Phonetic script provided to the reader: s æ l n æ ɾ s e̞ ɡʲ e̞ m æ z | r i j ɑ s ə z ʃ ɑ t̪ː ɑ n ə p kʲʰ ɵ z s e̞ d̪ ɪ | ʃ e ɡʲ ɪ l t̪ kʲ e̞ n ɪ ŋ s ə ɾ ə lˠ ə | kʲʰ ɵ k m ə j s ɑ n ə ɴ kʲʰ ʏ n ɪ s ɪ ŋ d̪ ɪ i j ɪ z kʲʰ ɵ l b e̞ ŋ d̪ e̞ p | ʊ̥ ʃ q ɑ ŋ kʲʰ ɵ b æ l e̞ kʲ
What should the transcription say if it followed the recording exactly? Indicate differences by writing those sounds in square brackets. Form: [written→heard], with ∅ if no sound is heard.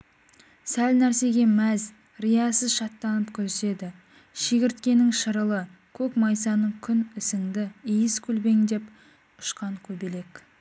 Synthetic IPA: s æ l n æ ɾ s e̞ ɡʲ e̞ m æ z | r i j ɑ s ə z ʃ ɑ t̪ː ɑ n ə p kʲʰ ɵ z s e̞ d̪ ɪ | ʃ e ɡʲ ɪ [l→ɾ] t̪ kʲ e̞ n ɪ ŋ [s→ʃ] ə ɾ ə lˠ ə | kʲʰ ɵ k m [ə→ɑ] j s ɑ n ə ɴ kʲʰ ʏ n ɪ s ɪ ŋ d̪ ɪ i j ɪ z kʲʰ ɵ l b e̞ ŋ d̪ e̞ p | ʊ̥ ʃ q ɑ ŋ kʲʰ ɵ b [æ→e] l e̞ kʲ